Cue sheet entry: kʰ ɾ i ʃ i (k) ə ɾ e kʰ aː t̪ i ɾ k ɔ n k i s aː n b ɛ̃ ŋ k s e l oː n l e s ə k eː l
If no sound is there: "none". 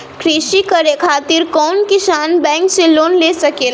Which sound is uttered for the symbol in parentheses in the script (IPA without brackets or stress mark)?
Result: k